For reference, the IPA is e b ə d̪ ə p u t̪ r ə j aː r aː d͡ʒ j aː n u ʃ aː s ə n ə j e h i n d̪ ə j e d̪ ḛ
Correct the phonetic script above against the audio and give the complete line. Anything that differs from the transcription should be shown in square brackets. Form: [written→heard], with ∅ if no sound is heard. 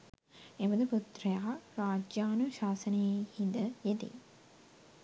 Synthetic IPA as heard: e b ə d̪ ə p u t̪ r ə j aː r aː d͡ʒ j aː n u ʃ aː s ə n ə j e h i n d̪ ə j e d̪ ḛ